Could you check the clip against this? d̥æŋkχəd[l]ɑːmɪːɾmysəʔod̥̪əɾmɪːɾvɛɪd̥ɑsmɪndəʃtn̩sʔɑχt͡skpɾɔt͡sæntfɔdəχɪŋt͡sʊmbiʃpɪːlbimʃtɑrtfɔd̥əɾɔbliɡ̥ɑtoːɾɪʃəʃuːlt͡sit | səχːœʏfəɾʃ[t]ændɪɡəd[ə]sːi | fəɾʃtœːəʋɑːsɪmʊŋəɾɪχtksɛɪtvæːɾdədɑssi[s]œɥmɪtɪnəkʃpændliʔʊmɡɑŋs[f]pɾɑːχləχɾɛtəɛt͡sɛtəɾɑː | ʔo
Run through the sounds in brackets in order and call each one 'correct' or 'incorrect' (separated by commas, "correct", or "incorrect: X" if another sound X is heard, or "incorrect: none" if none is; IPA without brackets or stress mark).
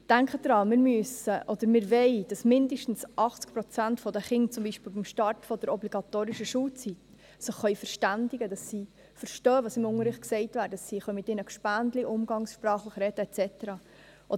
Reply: incorrect: ɾ, correct, incorrect: ɑ, incorrect: χ, incorrect: ʃ